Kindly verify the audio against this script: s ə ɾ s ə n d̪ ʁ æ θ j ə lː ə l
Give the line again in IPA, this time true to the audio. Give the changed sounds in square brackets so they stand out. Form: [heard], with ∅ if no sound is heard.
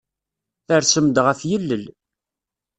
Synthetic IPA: [θ] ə ɾ s ə [m] d̪ ʁ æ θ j ə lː ə l